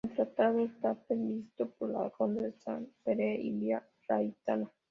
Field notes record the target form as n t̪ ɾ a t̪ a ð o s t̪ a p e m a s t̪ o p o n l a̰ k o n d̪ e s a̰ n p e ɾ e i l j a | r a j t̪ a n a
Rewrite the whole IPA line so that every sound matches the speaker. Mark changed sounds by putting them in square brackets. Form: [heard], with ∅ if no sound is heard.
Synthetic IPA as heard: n t̪ ɾ a t̪ a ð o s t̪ a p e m [i] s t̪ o p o [∅] l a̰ k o n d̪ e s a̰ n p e ɾ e i l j a | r a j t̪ a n a